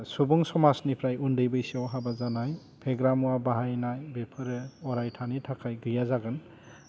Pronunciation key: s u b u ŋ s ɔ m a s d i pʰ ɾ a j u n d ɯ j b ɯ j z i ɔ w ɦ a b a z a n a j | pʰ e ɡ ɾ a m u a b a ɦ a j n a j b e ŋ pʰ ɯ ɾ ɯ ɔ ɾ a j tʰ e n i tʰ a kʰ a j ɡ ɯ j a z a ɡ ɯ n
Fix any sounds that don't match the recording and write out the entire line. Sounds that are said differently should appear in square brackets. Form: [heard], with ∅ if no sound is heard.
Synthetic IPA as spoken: s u b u ŋ s ɔ m a s [n] i pʰ ɾ a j u n d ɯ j b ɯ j [s] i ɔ w ɦ a b a z a n a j | pʰ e ɡ ɾ a m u a b a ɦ a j n a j b e [∅] pʰ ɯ ɾ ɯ ɔ ɾ a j tʰ [a] n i tʰ a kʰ a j ɡ ɯ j a z a ɡ ɯ n